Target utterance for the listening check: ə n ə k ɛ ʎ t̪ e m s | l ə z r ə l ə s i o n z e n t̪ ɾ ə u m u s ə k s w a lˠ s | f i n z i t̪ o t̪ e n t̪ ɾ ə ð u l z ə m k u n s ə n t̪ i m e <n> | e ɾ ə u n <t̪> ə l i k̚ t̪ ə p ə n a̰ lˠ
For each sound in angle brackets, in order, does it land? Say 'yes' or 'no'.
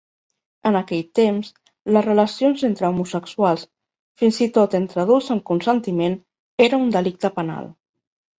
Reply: yes, no

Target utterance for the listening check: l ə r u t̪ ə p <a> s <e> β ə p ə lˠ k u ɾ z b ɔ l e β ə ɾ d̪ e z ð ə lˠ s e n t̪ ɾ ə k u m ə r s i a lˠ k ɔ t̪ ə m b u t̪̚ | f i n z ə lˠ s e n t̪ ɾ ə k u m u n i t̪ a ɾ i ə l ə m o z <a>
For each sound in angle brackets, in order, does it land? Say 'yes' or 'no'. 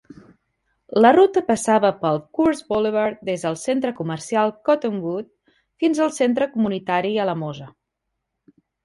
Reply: no, no, no

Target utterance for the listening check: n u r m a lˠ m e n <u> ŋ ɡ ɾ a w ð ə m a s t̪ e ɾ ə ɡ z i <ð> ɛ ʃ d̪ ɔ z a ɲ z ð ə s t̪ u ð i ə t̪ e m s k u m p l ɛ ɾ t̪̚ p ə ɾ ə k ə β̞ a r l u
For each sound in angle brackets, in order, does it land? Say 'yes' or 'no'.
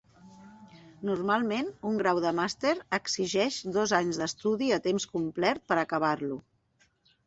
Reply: yes, no

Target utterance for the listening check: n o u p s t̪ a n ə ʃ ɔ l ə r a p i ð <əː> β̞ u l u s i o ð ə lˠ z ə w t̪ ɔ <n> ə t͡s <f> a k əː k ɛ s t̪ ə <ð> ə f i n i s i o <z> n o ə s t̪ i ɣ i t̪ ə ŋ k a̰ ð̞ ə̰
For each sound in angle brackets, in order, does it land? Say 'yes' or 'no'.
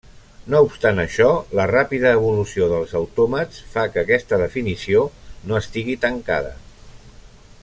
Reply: yes, no, yes, yes, no

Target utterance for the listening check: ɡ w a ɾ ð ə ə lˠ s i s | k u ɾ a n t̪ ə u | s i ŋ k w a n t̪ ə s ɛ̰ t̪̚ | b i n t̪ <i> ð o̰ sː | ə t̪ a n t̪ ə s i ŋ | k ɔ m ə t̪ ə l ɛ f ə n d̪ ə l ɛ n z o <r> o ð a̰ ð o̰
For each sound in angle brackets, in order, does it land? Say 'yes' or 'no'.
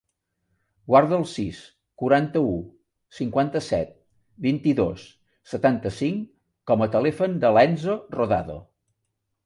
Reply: yes, yes

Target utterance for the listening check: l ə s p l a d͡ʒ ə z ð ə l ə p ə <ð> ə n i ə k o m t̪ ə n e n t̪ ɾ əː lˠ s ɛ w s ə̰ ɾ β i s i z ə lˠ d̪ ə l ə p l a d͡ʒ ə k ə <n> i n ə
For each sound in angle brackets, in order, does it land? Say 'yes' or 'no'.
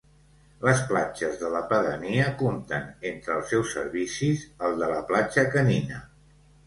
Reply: yes, yes

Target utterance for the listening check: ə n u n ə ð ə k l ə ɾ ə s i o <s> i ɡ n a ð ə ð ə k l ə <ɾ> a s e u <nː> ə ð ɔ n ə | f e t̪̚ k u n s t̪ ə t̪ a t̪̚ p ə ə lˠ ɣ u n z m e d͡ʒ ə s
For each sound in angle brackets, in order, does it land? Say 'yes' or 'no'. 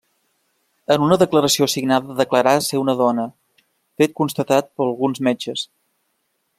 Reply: yes, yes, no

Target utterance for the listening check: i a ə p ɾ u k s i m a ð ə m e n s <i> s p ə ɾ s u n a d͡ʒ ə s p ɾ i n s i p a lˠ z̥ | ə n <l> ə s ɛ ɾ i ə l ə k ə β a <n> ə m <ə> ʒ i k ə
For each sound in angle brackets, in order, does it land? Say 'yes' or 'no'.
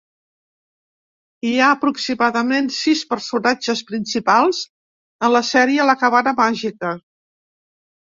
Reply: yes, yes, yes, no

